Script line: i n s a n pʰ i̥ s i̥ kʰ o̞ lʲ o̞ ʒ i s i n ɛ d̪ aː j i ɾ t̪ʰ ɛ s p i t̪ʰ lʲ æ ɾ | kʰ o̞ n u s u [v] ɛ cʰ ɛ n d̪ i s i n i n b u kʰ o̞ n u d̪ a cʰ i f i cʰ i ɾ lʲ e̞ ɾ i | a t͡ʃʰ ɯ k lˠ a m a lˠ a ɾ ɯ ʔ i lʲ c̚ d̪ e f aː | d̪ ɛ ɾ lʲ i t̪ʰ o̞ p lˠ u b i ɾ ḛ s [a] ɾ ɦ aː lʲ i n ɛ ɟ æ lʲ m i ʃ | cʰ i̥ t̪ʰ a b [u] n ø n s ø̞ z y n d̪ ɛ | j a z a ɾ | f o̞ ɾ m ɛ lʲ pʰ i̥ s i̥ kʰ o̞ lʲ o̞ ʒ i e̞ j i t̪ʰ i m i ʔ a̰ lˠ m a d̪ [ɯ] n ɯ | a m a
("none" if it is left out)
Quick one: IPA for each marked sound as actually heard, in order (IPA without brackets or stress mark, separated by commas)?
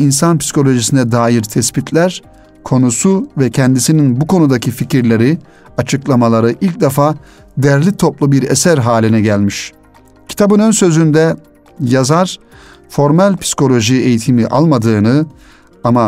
v, æ, ɯ, ɯː